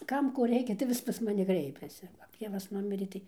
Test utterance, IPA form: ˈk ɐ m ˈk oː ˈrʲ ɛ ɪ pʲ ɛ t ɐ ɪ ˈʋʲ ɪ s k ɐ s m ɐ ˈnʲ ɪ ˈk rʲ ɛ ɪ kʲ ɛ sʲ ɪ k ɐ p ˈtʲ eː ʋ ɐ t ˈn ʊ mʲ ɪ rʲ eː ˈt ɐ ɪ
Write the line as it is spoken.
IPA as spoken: ˈk ɐ m ˈk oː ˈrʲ ɛ ɪ kʲ ɛ t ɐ ɪ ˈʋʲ ɪ s p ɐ s m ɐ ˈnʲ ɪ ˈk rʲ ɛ ɪ pʲ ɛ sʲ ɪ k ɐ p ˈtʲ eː ʋ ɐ s ˈn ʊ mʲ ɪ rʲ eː ˈt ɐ ɪ